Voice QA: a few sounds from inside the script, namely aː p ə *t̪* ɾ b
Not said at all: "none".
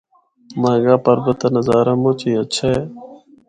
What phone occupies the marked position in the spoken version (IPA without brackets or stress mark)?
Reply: none